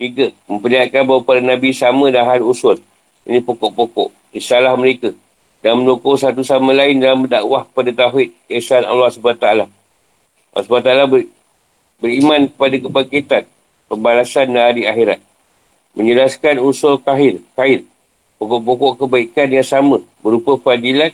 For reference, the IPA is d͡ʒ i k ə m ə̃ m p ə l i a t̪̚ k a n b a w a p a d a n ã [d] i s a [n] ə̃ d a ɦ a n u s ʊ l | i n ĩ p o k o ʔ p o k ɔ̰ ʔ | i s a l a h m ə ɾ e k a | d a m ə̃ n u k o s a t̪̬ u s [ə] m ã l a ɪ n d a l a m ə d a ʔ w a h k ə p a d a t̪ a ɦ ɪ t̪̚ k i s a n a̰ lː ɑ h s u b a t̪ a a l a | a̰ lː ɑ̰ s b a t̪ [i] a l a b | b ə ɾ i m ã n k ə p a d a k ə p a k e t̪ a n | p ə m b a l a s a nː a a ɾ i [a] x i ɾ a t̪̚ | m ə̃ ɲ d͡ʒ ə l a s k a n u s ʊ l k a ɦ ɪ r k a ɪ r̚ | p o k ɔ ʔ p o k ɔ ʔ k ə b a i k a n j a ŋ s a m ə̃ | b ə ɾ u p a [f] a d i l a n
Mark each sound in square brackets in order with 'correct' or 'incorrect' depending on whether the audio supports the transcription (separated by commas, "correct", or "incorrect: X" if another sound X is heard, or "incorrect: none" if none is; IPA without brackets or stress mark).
incorrect: b, incorrect: m, incorrect: a, incorrect: a, correct, correct